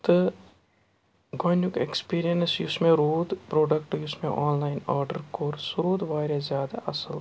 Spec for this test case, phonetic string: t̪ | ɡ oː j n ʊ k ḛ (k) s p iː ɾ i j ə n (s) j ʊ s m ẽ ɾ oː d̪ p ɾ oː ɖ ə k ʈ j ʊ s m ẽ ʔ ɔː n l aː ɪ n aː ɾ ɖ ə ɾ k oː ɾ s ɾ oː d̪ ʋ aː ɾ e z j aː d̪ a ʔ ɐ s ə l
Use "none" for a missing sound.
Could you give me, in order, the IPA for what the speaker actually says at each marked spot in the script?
k, s

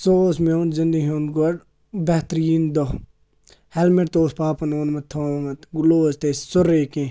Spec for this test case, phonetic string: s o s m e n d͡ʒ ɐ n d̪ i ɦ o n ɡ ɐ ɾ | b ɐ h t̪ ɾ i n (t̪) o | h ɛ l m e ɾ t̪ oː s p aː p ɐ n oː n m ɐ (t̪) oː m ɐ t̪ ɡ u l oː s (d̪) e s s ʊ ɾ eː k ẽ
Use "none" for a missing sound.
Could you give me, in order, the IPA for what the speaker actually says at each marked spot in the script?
d̪, t̪ʰ, t̪

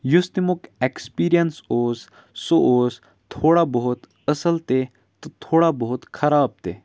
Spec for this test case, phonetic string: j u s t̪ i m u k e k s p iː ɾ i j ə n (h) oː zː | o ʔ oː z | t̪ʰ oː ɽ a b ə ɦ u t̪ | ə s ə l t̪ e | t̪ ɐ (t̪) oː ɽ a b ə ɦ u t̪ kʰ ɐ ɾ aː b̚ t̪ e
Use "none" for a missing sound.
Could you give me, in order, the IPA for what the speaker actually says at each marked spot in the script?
s, t̪ʰ

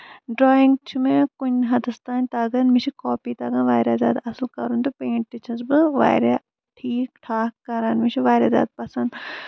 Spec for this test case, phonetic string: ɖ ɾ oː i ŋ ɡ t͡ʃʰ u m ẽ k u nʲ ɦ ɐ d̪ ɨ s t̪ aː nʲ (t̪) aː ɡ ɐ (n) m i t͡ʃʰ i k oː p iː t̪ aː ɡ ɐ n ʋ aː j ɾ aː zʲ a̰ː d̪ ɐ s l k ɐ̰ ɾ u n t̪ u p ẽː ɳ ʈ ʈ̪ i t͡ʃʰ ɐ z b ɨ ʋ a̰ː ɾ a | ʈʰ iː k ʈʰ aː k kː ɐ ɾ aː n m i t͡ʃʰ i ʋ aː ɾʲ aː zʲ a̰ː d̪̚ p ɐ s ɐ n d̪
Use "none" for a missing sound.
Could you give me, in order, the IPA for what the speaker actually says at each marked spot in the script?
t̪, n

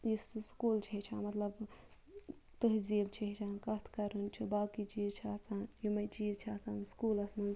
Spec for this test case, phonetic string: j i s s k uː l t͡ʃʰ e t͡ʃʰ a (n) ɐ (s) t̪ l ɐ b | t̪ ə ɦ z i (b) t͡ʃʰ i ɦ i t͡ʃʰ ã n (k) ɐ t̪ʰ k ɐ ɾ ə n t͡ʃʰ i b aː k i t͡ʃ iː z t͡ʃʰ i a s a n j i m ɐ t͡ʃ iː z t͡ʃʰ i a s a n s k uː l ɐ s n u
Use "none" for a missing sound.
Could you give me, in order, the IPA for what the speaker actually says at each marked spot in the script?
m, none, b, k

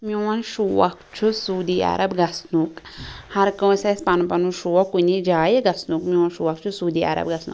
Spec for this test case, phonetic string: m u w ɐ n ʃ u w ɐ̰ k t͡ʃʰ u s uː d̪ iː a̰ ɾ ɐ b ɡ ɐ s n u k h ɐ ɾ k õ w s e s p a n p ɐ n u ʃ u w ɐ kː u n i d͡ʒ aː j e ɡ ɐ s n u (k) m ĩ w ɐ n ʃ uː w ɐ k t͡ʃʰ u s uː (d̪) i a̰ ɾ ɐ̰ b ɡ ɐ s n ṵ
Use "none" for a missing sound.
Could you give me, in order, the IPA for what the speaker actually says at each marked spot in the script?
k, d̪

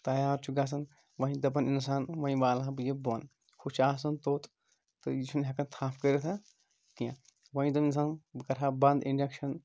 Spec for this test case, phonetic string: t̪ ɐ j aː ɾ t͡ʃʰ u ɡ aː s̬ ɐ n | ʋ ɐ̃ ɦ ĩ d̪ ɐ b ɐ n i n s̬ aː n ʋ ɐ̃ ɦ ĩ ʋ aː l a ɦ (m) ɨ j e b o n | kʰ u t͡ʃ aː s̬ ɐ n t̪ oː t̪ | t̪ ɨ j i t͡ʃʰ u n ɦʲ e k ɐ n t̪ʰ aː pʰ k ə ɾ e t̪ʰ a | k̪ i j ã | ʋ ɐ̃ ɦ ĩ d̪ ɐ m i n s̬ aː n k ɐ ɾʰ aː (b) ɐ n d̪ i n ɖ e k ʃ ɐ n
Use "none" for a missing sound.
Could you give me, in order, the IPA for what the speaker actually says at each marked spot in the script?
b, b

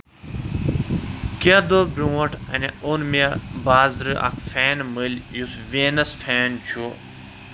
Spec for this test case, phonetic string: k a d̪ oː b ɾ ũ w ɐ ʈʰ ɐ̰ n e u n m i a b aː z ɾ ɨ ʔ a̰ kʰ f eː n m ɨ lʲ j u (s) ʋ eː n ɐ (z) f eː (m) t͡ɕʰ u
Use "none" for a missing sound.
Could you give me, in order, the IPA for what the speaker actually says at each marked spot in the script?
s, s, n

